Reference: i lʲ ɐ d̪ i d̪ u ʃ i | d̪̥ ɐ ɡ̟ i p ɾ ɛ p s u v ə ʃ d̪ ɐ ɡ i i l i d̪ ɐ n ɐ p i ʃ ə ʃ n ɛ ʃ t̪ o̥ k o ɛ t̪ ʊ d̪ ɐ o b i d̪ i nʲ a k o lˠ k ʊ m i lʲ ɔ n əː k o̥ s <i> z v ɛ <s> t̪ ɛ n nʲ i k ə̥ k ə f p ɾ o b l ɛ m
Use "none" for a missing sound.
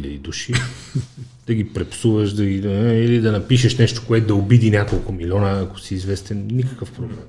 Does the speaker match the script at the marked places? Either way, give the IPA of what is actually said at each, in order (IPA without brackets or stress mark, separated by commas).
iː, s